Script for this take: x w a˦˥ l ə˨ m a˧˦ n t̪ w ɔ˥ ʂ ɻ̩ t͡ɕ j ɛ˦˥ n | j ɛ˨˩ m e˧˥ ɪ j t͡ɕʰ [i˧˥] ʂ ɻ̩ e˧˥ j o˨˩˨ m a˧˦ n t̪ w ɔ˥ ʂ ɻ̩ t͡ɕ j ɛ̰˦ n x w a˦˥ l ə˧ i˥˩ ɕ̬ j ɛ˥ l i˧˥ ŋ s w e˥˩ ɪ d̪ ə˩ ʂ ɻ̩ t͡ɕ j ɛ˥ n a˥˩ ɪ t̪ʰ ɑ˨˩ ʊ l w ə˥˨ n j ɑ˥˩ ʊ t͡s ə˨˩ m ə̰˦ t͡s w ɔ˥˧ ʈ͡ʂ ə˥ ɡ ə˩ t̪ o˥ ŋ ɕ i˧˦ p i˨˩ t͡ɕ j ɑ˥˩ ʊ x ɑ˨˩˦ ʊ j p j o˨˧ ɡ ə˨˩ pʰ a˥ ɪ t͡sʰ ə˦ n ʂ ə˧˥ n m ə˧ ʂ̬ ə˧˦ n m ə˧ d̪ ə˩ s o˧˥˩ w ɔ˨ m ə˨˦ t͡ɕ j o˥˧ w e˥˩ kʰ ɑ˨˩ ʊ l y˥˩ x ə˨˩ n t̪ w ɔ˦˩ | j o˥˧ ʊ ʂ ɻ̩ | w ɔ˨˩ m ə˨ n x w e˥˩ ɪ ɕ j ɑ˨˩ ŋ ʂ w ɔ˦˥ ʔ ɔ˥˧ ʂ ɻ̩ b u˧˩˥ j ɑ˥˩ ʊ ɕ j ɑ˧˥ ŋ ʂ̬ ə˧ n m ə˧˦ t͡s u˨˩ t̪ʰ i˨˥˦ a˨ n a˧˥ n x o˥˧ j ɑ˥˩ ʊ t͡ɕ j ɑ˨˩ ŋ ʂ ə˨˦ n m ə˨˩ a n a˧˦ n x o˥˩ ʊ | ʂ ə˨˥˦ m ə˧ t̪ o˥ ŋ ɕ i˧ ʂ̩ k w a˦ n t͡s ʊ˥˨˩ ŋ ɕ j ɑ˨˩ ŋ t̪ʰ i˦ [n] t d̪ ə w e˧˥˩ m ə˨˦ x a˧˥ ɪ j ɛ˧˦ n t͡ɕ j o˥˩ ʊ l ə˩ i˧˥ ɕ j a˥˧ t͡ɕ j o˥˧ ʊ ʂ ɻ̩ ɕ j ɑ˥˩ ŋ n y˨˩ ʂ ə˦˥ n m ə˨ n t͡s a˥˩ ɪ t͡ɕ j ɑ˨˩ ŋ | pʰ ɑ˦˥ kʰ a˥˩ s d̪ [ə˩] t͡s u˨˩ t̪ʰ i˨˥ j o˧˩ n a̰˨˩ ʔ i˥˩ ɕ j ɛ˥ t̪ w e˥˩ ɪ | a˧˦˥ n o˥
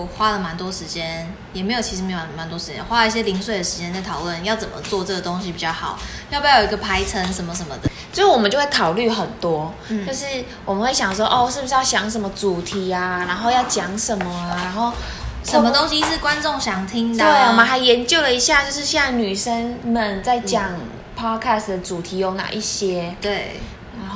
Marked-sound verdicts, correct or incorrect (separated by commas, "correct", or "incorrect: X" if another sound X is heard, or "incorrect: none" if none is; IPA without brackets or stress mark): incorrect: i˧, incorrect: ŋ, correct